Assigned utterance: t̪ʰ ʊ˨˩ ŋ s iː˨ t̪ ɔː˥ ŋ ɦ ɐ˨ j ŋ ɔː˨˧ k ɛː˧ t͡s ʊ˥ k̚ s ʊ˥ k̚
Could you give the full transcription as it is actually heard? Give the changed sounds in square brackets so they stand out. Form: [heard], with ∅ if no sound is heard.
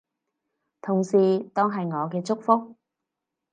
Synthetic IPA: t̪ʰ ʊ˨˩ ŋ s iː˨ t̪ ɔː˥ ŋ ɦ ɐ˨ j ŋ ɔː˨˧ k ɛː˧ t͡s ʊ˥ k̚ [f] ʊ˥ k̚